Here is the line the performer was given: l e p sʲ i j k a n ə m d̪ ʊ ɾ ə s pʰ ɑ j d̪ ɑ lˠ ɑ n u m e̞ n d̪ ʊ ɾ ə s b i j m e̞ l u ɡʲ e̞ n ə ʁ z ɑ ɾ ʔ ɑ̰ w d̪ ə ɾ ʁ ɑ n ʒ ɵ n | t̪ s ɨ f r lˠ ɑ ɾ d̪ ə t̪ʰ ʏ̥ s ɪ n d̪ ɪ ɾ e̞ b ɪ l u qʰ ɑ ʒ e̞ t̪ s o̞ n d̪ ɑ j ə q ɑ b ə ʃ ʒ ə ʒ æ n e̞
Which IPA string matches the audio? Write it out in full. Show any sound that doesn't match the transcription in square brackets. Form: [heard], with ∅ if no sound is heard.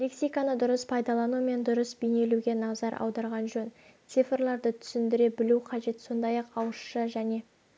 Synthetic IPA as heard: l e [k] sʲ i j k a n ə [∅] d̪ ʊ ɾ ə s pʰ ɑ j d̪ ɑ lˠ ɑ n u m e̞ n d̪ ʊ ɾ ə s b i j [n] e̞ l u ɡʲ e̞ n [ɑ] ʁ z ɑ ɾ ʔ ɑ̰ w d̪ [ɑ] ɾ ʁ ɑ n ʒ ɵ n | t̪ s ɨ f r lˠ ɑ ɾ d̪ ə t̪ʰ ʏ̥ s ɪ n d̪ ɪ ɾ e̞ b ɪ l u qʰ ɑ ʒ e̞ t̪ s o̞ n d̪ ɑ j [ɑ] q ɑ [w] ə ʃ [ʃ] ə ʒ æ n e̞